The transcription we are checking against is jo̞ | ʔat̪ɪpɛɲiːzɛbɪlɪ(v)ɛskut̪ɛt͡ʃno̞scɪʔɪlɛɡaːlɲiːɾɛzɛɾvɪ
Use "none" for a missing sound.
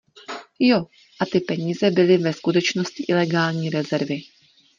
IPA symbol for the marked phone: v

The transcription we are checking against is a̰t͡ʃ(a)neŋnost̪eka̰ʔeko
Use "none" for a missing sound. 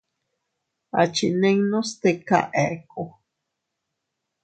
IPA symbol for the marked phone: i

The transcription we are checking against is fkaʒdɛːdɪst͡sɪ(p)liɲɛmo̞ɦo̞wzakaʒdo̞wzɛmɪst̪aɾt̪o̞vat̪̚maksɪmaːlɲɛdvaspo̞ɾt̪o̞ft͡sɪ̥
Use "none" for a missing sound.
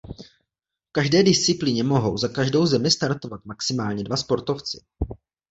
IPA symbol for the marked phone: p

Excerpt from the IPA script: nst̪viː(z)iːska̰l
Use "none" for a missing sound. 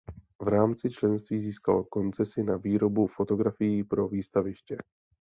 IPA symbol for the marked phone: z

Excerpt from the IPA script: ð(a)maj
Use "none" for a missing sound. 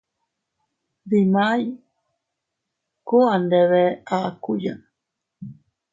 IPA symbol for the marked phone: i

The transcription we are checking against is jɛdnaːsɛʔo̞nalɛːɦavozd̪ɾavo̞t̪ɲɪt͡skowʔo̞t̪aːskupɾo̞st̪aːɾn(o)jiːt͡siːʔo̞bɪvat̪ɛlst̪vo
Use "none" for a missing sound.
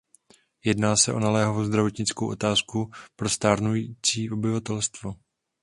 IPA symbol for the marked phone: u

